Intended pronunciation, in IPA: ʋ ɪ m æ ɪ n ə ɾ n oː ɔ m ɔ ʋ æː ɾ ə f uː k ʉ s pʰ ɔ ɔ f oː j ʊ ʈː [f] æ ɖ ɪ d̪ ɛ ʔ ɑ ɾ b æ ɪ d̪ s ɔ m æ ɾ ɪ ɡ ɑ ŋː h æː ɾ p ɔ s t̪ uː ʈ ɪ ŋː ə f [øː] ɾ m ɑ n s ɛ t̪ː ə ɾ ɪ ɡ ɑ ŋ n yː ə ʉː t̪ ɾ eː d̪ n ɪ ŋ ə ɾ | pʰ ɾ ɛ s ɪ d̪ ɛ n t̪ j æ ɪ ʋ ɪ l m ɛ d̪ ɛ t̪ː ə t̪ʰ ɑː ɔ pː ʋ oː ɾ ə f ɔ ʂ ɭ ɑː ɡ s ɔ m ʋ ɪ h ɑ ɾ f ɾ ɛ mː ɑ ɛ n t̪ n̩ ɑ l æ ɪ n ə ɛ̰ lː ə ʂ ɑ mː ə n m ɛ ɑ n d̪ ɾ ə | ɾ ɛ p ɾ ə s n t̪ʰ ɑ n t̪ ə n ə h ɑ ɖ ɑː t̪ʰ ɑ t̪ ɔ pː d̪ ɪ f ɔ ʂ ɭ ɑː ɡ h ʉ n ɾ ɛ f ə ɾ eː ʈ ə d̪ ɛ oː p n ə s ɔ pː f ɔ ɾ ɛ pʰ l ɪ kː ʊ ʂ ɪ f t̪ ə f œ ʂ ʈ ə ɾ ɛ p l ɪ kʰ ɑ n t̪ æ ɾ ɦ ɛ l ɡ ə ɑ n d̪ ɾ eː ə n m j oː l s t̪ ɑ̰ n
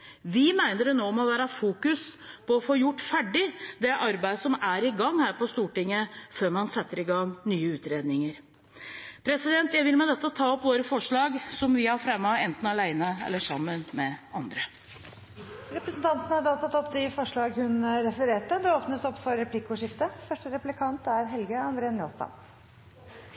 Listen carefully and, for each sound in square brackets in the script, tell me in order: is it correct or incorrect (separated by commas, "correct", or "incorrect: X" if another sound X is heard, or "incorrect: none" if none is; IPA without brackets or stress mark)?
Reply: correct, correct